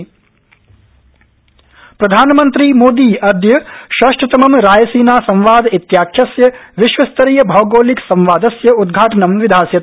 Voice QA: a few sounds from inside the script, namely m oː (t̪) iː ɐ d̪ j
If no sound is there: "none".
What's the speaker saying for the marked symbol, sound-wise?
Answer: d̪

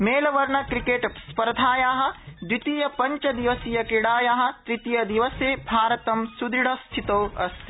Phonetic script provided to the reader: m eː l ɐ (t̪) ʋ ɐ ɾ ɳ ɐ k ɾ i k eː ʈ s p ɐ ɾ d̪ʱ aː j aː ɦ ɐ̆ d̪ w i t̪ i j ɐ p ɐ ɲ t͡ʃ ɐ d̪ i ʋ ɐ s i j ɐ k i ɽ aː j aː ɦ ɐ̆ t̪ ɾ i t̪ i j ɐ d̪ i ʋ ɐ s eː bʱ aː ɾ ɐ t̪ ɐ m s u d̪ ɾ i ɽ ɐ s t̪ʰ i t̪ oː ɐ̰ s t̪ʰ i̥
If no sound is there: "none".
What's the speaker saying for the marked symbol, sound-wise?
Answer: none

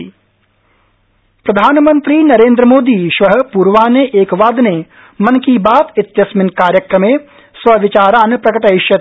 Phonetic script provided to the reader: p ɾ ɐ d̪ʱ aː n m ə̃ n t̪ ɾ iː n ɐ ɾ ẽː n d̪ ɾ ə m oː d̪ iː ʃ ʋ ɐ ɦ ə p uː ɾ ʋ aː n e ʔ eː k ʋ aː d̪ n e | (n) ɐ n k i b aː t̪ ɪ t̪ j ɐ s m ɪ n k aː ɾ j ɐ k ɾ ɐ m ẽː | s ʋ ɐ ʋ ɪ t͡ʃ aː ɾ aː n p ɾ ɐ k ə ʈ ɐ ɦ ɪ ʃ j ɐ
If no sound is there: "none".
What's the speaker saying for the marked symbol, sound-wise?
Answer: m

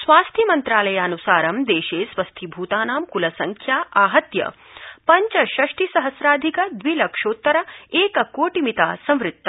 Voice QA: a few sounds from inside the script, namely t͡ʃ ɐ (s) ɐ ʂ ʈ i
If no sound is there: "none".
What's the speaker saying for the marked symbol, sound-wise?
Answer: ʃ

